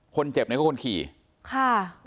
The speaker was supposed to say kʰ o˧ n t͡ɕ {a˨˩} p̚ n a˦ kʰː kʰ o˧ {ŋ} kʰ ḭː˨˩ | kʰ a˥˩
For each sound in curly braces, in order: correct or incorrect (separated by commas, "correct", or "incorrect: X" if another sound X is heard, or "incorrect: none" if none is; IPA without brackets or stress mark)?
incorrect: e˨˩, incorrect: n